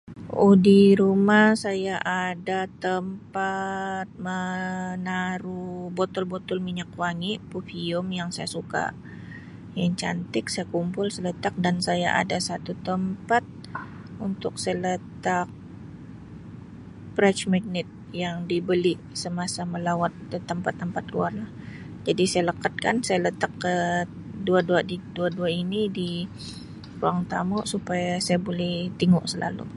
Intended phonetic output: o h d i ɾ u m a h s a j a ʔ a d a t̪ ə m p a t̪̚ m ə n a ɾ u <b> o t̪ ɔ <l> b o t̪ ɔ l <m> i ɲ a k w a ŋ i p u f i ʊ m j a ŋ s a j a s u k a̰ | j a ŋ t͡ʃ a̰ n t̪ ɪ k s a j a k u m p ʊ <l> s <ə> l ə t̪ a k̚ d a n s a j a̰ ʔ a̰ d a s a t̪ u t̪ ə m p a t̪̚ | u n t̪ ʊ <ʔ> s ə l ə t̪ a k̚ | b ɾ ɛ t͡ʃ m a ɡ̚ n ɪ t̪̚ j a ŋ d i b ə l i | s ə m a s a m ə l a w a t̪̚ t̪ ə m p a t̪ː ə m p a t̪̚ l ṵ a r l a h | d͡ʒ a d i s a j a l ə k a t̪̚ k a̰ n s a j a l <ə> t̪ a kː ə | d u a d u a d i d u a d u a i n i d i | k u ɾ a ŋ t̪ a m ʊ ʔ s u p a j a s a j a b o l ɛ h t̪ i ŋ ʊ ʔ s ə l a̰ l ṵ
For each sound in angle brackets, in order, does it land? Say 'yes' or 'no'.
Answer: yes, yes, yes, yes, yes, no, yes

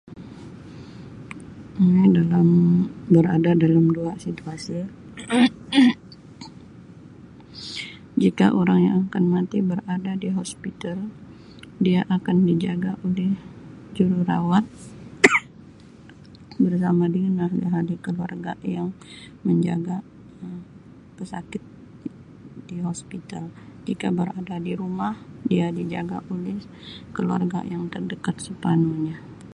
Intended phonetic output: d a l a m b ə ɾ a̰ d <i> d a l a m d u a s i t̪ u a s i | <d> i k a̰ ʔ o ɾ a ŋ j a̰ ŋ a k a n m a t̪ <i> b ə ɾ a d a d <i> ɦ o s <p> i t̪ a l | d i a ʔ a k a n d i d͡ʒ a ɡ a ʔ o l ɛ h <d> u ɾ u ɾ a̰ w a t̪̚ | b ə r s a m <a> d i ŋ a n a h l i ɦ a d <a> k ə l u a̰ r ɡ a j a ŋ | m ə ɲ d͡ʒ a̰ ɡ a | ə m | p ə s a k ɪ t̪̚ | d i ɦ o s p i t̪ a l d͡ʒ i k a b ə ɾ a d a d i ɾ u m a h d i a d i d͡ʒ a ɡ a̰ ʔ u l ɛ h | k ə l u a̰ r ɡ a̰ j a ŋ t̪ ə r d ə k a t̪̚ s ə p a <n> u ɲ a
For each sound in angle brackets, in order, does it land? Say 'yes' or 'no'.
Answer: no, no, yes, yes, yes, no, yes, no, yes

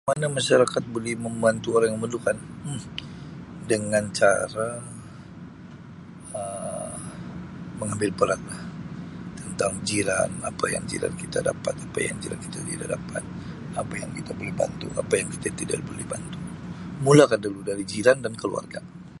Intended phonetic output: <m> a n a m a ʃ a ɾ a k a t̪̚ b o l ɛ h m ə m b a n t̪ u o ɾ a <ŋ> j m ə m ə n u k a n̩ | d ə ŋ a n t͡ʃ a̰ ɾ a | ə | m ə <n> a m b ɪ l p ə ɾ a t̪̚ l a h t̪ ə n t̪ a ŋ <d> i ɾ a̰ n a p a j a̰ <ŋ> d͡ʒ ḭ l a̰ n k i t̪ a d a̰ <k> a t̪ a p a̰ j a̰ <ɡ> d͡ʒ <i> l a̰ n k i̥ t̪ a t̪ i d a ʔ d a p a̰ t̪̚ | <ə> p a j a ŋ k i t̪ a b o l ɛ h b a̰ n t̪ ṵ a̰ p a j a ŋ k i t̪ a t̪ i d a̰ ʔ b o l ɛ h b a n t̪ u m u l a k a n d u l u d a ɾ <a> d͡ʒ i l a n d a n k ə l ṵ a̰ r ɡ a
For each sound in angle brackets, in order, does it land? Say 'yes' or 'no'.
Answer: yes, yes, no, no, yes, no, no, yes, no, no

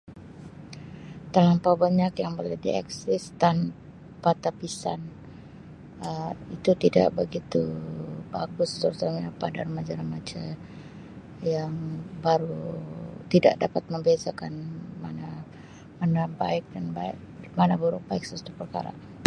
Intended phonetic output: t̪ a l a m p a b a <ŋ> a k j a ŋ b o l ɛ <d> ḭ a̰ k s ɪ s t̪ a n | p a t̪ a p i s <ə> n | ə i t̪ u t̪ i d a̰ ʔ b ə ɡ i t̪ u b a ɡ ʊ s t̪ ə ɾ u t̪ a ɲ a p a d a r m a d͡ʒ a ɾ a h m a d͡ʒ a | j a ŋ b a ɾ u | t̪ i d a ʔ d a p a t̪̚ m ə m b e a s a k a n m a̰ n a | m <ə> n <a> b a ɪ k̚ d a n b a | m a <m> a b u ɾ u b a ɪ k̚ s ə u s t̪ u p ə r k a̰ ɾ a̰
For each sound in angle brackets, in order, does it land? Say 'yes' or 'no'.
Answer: no, yes, no, no, yes, no

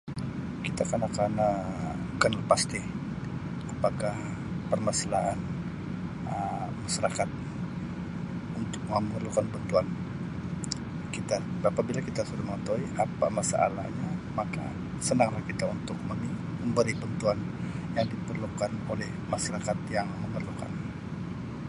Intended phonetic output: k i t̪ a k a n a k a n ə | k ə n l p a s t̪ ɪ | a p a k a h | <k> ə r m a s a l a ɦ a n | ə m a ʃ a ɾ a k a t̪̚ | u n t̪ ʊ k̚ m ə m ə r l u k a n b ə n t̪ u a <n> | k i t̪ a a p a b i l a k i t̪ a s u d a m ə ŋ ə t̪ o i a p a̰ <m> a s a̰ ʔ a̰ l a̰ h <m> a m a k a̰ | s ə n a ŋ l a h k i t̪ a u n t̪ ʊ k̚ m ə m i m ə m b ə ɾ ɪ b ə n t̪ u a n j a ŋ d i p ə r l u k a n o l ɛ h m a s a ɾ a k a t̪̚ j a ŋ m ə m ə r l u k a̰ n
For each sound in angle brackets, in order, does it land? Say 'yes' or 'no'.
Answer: no, yes, yes, no

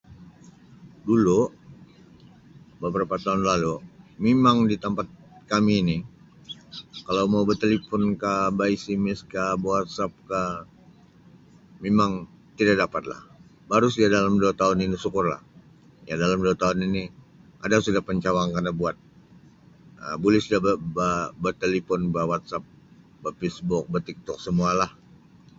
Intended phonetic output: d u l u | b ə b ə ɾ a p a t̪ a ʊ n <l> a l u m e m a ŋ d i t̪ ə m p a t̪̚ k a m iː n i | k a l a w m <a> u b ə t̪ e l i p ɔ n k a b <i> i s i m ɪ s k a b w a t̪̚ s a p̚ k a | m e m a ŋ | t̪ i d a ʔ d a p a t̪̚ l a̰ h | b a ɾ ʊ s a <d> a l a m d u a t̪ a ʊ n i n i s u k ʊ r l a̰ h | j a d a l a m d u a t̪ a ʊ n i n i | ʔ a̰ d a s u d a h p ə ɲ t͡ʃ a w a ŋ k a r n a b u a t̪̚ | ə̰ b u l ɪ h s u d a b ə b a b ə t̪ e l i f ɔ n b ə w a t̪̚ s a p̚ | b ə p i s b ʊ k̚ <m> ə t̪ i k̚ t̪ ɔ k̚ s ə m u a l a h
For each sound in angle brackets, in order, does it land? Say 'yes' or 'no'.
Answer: yes, yes, no, yes, no

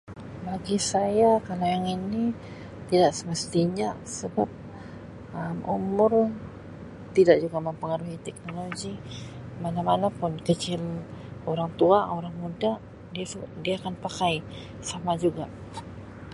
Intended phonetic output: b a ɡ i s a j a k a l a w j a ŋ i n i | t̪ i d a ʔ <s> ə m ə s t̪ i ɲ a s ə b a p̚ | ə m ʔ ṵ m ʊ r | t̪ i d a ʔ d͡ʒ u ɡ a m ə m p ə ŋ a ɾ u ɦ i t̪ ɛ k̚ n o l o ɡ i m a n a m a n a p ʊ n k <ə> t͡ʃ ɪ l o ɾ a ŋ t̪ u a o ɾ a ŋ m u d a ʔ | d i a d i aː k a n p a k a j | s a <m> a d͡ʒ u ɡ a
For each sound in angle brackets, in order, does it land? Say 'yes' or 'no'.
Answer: yes, yes, yes

